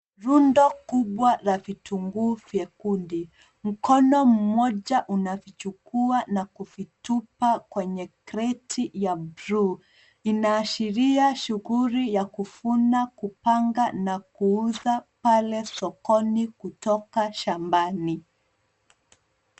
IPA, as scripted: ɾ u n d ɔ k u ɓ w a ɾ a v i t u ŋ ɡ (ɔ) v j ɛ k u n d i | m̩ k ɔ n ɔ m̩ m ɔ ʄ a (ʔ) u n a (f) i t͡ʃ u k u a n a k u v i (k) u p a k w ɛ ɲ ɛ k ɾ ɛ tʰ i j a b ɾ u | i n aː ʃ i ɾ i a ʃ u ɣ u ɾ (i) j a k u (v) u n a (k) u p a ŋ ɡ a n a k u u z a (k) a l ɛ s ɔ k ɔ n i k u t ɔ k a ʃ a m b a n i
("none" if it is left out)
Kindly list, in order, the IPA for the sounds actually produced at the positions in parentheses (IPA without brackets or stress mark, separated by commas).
u, ʔ, v, t, i, f, k, p